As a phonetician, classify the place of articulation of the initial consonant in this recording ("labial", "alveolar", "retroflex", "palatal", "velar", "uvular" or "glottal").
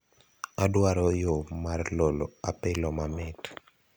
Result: alveolar